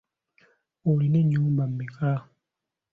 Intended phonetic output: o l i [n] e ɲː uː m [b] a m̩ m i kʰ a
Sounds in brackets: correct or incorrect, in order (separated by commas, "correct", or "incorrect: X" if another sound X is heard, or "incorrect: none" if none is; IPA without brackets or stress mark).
correct, correct